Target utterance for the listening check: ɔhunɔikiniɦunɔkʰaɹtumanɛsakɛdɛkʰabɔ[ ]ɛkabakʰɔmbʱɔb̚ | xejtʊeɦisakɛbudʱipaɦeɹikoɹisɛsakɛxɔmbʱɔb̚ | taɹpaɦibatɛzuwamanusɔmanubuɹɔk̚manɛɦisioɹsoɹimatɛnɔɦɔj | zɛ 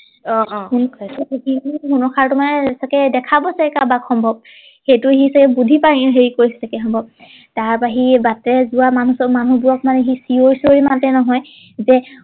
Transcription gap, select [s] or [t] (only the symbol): s